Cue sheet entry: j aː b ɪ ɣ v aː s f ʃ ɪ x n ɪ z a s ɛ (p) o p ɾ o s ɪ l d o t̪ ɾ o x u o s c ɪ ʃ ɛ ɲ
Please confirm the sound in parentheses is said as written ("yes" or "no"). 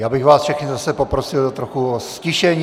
yes